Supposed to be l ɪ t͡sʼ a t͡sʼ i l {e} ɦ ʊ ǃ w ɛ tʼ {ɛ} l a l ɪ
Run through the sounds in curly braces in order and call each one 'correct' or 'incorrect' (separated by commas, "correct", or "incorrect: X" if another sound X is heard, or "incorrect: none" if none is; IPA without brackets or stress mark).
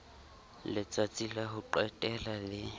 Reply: incorrect: a, correct